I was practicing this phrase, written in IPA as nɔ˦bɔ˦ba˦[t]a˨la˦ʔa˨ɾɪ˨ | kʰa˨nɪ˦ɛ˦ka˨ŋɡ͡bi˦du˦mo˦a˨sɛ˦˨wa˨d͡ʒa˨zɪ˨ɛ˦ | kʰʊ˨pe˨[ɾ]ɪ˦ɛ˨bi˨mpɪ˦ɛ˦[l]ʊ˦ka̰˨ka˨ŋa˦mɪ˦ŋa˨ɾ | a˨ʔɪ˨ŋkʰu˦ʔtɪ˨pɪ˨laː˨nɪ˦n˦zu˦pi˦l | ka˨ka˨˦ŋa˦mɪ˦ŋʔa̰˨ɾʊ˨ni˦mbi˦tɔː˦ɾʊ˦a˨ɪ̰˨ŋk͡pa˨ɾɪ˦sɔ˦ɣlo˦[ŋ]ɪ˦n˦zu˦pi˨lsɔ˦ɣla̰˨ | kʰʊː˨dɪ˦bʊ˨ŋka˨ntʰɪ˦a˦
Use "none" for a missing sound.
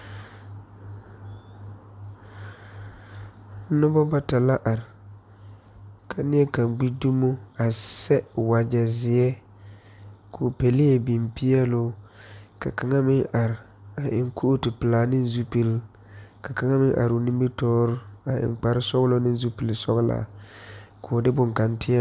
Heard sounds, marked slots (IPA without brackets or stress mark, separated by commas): t, l, l, n